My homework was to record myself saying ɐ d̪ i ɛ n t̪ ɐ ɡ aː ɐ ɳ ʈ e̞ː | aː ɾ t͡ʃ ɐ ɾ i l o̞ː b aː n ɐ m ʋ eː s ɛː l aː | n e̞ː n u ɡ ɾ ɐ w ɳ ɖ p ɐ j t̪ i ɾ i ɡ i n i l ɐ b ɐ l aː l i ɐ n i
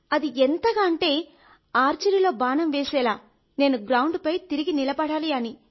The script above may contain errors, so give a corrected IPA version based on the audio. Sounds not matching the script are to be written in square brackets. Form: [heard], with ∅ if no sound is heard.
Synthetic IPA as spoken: ɐ d̪ i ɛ n t̪ ɐ ɡ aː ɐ ɳ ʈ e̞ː | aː ɾ t͡ʃ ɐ ɾ i l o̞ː b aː n ɐ m ʋ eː s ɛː l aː | n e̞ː n u ɡ ɾ ɐ w ɳ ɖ p ɐ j t̪ i ɾ i ɡ i n i l ɐ b ɐ [ɽ] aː l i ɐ n i